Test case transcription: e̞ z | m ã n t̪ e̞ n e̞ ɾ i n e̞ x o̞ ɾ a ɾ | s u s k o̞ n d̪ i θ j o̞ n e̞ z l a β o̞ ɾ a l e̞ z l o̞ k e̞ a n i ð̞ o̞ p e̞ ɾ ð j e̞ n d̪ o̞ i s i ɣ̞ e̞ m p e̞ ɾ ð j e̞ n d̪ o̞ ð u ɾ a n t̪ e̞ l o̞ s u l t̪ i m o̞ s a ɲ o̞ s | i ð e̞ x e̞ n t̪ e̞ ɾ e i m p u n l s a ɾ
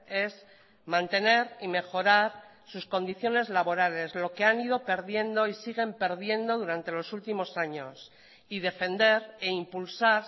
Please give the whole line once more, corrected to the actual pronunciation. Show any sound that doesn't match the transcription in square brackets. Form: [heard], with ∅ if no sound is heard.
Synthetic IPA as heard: e̞ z | m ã n t̪ e̞ n e̞ ɾ i [m] e̞ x o̞ ɾ a ɾ | s u s k o̞ n d̪ i θ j o̞ n e̞ z l a β o̞ ɾ a l e̞ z l o̞ k e̞ a n i ð̞ o̞ p e̞ ɾ ð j e̞ n d̪ o̞ i s i ɣ̞ e̞ m p e̞ ɾ ð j e̞ n d̪ o̞ ð u ɾ a n t̪ e̞ l o̞ s u l t̪ i m o̞ s a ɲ o̞ s | i ð e̞ [f] e̞ n [d̪] e̞ ɾ e i m p u [∅] l s a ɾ